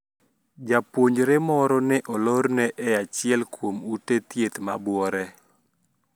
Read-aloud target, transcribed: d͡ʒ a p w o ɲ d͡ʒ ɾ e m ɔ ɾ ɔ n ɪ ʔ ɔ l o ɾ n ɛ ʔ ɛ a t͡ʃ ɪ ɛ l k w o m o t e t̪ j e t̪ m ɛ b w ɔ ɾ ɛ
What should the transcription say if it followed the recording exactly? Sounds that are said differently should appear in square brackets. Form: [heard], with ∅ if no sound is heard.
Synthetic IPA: d͡ʒ a p w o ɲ d͡ʒ ɾ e m ɔ ɾ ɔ n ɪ ʔ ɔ l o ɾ n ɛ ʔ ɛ a t͡ʃ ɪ ɛ l k w o m [u] t e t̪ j e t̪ m [a] b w ɔ ɾ ɛ